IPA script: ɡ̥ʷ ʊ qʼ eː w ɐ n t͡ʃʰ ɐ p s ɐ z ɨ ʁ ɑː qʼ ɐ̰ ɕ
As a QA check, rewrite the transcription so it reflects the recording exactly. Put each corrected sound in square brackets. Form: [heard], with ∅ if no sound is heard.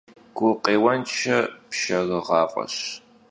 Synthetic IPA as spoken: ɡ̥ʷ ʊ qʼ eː w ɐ n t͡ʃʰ ɐ p [ʃ] ɐ [ɣ] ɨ ʁ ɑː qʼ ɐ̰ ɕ